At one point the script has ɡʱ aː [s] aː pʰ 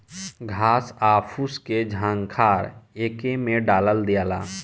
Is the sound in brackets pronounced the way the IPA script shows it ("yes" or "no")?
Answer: yes